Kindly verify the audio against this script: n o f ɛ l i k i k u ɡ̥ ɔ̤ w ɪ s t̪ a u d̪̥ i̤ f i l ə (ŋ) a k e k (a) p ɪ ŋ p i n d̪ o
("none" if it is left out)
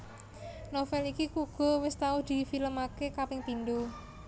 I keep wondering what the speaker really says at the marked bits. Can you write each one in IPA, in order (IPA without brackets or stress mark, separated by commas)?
m, a